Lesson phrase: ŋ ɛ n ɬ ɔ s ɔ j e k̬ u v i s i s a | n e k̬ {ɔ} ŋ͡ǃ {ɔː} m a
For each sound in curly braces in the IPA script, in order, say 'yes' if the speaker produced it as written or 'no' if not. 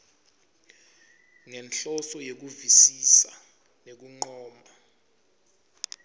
no, yes

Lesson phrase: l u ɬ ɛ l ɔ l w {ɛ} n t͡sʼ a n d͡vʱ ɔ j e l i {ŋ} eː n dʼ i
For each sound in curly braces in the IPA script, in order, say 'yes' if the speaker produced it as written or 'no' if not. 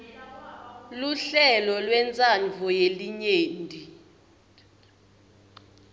yes, no

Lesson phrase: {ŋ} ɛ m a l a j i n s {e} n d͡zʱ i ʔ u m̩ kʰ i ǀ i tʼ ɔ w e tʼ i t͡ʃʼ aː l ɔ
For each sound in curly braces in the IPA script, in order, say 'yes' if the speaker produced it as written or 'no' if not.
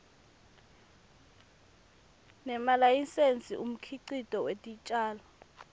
no, yes

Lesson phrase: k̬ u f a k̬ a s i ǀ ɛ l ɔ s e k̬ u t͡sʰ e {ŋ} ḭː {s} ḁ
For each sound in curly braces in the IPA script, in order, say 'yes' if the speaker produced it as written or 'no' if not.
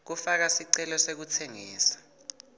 yes, yes

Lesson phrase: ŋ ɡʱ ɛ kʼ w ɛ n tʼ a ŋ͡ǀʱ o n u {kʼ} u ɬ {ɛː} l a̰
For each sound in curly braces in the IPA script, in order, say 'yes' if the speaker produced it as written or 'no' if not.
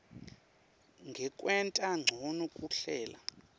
yes, yes

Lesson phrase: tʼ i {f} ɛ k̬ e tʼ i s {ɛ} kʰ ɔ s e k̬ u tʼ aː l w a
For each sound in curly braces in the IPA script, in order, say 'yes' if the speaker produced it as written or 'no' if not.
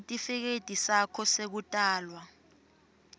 yes, no

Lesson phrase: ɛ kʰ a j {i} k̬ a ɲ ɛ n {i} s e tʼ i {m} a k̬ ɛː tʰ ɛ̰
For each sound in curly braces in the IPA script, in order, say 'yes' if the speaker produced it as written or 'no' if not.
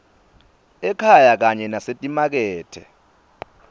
no, no, yes

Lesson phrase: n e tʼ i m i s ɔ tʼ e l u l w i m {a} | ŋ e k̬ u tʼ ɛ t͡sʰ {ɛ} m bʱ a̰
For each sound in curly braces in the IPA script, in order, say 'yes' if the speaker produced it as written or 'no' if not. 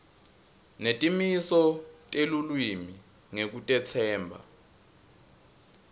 no, no

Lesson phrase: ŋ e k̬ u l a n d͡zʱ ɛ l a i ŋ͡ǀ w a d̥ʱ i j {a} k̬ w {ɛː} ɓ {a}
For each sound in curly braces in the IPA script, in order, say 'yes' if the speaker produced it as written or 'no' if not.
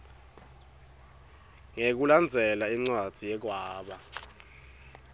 no, no, yes

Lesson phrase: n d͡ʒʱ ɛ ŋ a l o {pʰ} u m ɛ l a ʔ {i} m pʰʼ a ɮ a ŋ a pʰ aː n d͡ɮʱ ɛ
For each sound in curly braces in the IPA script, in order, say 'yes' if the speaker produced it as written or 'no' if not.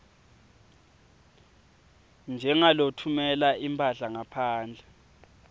no, yes

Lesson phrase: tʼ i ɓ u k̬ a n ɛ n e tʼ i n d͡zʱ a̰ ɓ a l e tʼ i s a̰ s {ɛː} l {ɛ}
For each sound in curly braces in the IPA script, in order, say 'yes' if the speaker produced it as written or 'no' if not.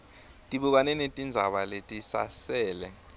yes, yes

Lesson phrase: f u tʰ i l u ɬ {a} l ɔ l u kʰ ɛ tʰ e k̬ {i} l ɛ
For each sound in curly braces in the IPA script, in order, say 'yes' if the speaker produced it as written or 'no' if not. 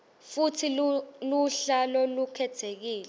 yes, no

